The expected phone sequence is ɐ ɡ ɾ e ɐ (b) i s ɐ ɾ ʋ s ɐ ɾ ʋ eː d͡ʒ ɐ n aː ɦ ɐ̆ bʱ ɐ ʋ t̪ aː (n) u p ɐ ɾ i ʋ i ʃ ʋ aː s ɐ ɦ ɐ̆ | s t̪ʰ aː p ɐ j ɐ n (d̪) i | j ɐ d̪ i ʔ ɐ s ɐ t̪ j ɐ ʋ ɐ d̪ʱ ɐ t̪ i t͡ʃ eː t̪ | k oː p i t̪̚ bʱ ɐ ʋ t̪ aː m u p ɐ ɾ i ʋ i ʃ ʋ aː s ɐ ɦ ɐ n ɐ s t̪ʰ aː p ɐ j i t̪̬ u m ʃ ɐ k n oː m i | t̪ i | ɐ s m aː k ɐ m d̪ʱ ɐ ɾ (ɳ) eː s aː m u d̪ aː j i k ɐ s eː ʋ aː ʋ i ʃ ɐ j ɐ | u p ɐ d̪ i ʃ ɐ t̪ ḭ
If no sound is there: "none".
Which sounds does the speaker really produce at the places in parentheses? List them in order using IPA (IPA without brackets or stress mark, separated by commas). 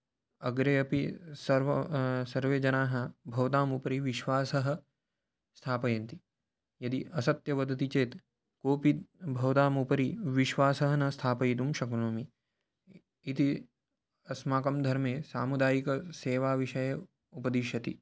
p, m, t̪, m